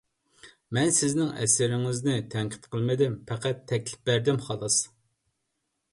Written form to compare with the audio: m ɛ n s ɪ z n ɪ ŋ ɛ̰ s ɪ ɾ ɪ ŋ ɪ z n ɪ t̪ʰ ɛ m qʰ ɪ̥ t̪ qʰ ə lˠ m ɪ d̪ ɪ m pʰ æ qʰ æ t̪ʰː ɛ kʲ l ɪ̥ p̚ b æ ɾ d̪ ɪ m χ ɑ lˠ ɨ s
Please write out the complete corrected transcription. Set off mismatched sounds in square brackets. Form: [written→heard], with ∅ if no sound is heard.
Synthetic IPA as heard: m ɛ n s ɪ z n ɪ ŋ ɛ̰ s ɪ ɾ ɪ ŋ ɪ z n ɪ t̪ʰ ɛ [m→ŋ] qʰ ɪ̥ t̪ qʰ ə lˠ m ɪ d̪ ɪ m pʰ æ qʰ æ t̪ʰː ɛ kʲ l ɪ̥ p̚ b æ ɾ d̪ ɪ m χ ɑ lˠ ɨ s